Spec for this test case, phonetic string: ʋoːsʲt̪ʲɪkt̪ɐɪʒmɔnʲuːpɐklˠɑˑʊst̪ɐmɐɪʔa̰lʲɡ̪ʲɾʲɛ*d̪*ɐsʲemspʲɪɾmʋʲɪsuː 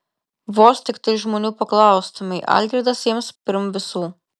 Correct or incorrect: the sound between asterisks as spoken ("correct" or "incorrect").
correct